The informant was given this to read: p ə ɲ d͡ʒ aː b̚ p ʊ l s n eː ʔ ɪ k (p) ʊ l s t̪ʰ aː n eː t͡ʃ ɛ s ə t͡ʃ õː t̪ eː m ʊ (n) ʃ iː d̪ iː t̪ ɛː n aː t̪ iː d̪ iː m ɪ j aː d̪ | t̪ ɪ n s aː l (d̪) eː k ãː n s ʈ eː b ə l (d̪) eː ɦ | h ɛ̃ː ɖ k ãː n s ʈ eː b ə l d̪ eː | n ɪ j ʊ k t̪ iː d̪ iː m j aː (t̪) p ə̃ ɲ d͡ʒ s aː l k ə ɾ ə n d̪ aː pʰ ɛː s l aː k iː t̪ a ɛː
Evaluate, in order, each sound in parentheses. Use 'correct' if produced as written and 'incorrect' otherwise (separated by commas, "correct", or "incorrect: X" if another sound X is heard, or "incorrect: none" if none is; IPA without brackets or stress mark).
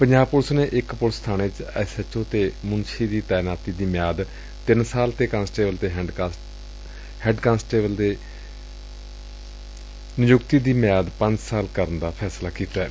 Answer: correct, correct, incorrect: t̪, incorrect: t̪, incorrect: d̪